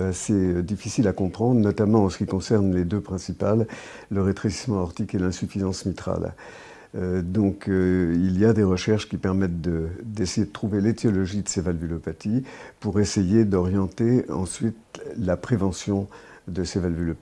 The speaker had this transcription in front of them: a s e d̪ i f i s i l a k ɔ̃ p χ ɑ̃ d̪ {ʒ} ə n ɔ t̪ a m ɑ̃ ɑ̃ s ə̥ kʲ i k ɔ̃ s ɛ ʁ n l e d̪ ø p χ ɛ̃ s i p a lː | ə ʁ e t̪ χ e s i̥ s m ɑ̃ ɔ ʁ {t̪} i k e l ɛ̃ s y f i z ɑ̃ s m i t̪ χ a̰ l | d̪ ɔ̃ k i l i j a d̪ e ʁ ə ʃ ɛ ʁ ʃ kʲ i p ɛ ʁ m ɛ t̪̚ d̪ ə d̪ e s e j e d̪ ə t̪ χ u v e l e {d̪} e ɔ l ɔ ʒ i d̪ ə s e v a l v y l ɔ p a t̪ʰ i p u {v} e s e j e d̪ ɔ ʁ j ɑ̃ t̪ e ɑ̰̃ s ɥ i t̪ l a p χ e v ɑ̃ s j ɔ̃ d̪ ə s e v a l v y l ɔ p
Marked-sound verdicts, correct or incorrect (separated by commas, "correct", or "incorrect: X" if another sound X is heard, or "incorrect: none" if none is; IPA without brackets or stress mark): incorrect: ʁ, correct, incorrect: t̪, incorrect: ʁ